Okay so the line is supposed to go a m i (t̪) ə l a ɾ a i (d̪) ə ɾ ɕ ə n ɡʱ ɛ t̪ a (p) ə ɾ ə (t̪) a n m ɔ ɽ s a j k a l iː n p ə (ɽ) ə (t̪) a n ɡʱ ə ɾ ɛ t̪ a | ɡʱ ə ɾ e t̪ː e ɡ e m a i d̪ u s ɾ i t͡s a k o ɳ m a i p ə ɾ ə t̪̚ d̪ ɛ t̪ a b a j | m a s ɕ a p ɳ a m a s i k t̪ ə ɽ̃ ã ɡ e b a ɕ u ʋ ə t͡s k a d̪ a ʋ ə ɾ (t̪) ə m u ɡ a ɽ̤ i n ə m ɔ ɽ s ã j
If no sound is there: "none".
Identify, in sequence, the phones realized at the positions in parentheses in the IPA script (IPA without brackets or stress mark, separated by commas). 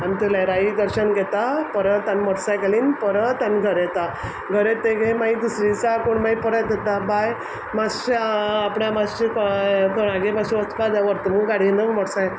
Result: t̪, d̪, p, t̪, ɾ, t̪, t̪